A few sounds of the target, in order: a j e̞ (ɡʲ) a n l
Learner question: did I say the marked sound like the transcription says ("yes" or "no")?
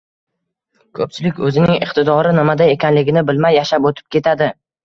no